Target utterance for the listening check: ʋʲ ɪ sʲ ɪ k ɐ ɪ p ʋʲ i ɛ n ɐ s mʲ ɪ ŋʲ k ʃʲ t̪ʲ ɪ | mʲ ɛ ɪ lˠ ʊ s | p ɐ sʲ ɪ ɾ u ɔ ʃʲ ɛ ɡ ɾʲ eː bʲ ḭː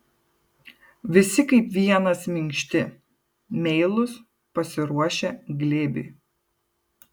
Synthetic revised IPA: ʋʲ ɪ sʲ ɪ k ɐ ɪ p ʋʲ i ɛ n ɐ s mʲ ɪ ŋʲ k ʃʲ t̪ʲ ɪ | mʲ ɛ ɪ lˠ ʊ s | p ɐ sʲ ɪ ɾ u ɔ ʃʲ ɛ ɡ lʲ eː bʲ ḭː